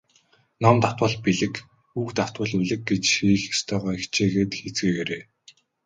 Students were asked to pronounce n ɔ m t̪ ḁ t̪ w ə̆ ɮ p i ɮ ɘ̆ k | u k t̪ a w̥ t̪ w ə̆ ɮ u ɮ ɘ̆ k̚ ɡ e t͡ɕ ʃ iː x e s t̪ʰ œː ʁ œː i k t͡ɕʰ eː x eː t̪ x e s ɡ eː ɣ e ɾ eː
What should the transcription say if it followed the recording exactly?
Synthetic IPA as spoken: n ɔ m t̪ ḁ t̪ w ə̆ ɮ p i ɮ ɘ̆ k | u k t̪ a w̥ t̪ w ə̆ ɮ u ɮ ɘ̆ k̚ ɡ e t͡ɕ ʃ iː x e s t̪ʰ œː ʁ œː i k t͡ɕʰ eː ɣ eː t̪ x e t͡s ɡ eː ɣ e ɾ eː